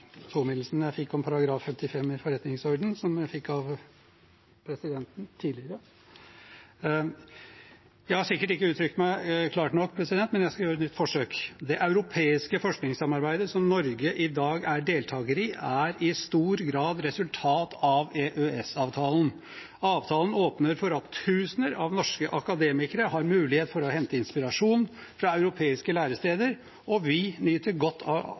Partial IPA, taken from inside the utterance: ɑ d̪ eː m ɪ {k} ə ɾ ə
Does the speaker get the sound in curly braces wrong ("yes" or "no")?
no